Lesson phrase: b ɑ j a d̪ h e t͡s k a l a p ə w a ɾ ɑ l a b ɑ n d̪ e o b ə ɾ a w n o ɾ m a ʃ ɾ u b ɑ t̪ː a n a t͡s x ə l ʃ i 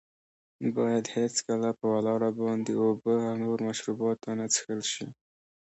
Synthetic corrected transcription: b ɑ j a d̪ h e t͡s k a l a p ə w a l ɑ ɽ a b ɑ n d̪ e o b ə a w n o ɾ m a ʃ ɾ u b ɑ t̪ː a n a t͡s x ə l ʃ i